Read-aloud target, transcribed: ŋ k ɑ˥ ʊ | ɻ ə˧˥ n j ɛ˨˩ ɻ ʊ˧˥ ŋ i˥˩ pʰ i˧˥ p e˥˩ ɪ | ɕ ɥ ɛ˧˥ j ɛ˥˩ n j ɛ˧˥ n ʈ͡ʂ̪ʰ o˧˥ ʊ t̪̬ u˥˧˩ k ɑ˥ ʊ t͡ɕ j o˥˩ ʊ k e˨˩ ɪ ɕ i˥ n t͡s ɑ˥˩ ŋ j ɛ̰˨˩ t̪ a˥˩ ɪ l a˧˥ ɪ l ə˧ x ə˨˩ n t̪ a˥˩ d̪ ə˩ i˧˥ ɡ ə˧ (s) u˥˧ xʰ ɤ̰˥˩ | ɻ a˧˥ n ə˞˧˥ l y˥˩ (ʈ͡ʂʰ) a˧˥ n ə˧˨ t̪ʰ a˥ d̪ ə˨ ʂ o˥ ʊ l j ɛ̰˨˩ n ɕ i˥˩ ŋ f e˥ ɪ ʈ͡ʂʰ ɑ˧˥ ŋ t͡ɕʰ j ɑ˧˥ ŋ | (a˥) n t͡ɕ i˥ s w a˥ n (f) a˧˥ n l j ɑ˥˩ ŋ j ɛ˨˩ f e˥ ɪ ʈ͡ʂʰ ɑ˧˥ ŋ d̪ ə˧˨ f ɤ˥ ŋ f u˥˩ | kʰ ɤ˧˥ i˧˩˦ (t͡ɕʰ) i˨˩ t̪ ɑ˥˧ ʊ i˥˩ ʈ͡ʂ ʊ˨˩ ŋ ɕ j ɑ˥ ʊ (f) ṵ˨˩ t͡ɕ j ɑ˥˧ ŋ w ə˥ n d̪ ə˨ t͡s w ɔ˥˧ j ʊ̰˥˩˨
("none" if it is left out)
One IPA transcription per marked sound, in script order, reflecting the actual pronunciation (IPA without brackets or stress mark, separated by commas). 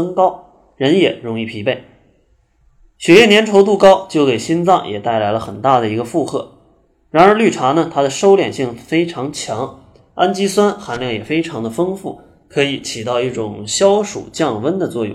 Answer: f, ʈ͡ʂʰ, a˥, x, t͡ɕʰ, ʂ